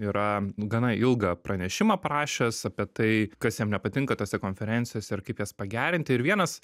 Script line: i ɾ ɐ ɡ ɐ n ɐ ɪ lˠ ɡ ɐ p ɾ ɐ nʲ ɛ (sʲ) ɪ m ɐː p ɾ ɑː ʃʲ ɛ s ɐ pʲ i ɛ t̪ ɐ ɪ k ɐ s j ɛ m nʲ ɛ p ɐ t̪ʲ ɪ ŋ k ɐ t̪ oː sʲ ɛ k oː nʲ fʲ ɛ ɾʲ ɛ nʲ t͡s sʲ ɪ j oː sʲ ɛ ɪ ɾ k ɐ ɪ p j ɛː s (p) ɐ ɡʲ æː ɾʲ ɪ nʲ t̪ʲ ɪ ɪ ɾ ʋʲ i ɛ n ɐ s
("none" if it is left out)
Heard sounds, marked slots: ʃʲ, p

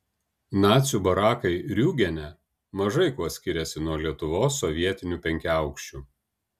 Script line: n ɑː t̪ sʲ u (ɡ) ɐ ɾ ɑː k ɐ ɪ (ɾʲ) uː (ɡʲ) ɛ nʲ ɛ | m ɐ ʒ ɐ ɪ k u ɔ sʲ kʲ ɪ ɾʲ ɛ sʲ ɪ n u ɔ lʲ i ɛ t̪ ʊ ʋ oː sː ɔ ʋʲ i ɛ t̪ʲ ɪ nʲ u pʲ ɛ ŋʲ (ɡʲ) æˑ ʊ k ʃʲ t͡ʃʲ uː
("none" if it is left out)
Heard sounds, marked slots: b, ɾʲ, ɡʲ, kʲ

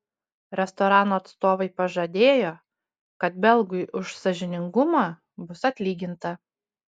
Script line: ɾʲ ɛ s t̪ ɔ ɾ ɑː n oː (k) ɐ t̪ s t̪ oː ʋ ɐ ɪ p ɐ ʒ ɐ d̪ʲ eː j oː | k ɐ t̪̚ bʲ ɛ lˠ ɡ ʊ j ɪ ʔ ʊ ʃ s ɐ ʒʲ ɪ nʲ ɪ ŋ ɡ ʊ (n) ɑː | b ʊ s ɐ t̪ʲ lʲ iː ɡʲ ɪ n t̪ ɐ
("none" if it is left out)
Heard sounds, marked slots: none, m

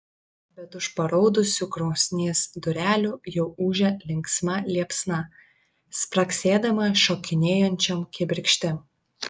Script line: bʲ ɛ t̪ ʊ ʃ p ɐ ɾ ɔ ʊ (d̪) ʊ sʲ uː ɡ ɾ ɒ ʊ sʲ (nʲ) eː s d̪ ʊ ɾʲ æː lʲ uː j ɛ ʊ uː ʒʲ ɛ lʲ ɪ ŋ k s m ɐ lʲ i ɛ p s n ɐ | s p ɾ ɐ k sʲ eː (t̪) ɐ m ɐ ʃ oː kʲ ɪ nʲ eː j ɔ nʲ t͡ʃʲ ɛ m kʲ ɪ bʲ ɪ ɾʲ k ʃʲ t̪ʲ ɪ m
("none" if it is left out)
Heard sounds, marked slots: d̪, nʲ, d̪

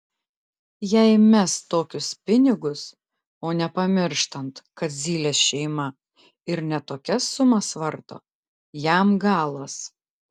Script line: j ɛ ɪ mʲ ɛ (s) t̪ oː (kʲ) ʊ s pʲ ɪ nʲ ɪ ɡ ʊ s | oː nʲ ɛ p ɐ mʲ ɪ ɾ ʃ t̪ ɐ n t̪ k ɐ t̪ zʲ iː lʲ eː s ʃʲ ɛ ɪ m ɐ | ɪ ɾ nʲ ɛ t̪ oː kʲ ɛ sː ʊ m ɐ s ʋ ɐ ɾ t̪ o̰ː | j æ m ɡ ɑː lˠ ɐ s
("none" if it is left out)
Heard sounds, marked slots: s, kʲ

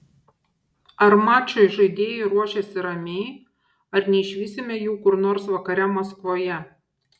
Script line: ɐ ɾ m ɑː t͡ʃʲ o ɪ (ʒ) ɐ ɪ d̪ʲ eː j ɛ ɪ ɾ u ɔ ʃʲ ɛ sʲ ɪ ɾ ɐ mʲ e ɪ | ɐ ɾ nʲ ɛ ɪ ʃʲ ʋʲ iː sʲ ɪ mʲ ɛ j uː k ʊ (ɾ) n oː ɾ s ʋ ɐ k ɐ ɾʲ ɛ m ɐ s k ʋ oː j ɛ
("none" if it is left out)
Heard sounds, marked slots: ʒ, ɾ

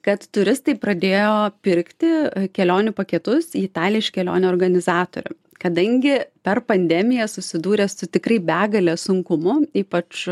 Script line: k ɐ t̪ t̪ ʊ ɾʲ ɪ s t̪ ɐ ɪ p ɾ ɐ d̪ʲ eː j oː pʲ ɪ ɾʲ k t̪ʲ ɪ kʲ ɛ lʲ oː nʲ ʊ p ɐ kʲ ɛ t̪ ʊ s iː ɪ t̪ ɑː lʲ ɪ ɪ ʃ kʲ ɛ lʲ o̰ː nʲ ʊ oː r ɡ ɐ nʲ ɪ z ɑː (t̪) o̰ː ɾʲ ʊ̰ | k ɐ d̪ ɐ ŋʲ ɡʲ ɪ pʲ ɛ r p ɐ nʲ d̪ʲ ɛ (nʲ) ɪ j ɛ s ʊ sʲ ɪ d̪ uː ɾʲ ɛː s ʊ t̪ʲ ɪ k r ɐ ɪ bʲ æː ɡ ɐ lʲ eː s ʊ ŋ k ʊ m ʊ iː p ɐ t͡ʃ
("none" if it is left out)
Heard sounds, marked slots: t̪, mʲ

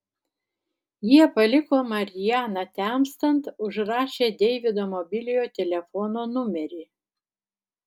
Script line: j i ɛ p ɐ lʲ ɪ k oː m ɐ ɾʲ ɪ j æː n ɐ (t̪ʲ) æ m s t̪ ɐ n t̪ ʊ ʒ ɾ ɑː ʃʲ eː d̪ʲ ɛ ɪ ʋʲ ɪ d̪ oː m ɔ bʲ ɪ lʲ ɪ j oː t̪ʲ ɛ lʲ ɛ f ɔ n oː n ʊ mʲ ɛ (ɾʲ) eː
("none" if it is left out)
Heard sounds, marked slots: t̪ʲ, ɾʲ

